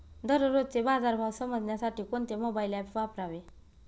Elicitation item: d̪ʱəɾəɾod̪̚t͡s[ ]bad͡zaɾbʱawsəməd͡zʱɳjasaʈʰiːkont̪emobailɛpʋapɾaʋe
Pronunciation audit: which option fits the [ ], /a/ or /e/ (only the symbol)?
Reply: e